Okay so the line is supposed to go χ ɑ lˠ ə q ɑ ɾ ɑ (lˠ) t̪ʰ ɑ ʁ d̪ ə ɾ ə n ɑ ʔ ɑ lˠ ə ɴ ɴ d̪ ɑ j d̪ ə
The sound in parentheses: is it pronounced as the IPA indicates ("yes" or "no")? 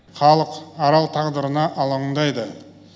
yes